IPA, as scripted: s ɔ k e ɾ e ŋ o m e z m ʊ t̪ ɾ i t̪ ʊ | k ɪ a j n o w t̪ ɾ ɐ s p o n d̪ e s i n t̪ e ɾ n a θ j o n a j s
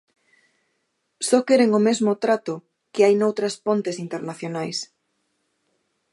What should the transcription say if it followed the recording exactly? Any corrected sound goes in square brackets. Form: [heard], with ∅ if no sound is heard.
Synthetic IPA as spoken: s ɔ k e ɾ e ŋ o m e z m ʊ t̪ ɾ [a] t̪ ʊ | k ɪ a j n o w t̪ ɾ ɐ s p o n [t̪] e s i n t̪ e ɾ n a θ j o n a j s